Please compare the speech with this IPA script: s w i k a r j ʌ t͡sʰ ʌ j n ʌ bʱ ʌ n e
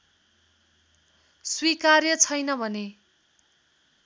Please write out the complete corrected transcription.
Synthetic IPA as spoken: s w i k a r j ʌ t͡sʰ ʌ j n ʌ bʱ ʌ n e